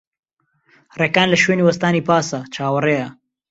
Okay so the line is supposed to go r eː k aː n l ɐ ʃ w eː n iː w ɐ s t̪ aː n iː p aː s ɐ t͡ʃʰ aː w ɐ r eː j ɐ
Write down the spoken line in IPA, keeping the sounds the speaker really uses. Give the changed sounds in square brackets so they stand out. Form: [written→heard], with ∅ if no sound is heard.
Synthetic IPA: r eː k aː n l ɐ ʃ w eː n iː w ɐ s t̪ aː n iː p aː s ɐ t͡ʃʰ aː w ɐ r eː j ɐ